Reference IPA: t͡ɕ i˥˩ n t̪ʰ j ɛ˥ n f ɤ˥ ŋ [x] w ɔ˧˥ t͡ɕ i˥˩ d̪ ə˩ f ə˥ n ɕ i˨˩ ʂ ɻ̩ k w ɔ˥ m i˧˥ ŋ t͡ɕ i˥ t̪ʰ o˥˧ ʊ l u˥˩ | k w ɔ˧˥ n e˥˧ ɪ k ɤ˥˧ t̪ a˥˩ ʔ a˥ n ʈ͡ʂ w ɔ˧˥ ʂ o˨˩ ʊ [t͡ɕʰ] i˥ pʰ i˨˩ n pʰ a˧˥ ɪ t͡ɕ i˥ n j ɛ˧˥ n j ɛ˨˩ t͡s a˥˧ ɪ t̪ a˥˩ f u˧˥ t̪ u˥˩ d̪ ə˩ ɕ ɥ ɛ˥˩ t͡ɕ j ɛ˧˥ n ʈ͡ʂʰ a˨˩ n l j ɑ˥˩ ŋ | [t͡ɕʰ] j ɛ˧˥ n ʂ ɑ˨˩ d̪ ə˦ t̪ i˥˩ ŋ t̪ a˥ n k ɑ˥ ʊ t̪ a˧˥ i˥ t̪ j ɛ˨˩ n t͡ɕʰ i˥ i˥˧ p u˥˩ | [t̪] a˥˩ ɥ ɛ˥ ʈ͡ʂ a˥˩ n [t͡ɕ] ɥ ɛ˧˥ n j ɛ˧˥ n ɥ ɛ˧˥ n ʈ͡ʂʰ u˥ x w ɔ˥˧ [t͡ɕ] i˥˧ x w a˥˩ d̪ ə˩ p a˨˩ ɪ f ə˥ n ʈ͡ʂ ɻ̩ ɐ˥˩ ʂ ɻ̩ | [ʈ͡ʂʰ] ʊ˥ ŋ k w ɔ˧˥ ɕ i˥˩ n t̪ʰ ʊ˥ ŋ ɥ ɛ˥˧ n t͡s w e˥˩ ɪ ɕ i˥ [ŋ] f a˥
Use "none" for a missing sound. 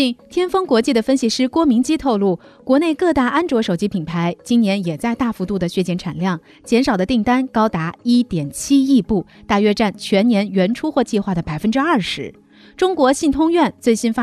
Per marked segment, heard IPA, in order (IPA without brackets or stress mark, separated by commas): k, t͡ɕ, t͡ɕ, t̪, t͡ɕʰ, t͡ɕ, ʈ͡ʂ, n